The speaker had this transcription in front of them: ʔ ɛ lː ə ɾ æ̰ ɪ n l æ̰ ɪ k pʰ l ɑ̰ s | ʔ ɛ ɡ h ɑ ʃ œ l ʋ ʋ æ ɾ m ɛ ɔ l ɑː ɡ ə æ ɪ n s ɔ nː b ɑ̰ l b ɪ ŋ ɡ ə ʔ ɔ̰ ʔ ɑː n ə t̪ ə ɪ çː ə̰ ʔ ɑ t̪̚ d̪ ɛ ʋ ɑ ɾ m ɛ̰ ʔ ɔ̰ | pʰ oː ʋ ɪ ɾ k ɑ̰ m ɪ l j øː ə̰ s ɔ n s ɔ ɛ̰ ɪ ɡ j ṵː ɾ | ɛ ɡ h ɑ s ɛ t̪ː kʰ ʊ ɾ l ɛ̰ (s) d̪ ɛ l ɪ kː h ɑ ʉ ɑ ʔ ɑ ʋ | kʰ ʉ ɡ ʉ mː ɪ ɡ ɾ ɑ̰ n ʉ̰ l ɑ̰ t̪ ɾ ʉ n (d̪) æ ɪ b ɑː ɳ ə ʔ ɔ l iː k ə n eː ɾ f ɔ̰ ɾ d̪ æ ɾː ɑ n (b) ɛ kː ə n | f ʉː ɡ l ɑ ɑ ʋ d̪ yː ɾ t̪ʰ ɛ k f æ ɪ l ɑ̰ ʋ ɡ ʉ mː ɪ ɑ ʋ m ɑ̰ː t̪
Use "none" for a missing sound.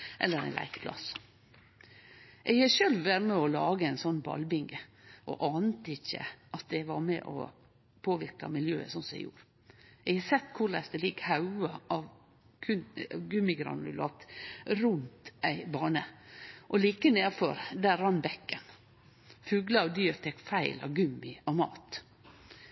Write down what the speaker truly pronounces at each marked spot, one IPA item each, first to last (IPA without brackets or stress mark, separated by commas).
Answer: s, t̪, b